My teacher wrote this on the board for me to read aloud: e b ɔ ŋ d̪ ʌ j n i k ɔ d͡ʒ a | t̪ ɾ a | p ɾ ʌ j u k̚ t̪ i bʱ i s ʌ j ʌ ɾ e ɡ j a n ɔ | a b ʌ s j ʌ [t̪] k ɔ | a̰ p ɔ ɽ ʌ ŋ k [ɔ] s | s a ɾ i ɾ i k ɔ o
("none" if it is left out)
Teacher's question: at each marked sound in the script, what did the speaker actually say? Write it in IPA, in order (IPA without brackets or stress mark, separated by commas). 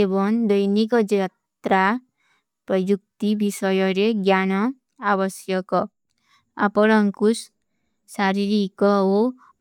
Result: none, u